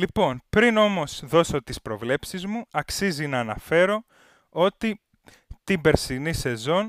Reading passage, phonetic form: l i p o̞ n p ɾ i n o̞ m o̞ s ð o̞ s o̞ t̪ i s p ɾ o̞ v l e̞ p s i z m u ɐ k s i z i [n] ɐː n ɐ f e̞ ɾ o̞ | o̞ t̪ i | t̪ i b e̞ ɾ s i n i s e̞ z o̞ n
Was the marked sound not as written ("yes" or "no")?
no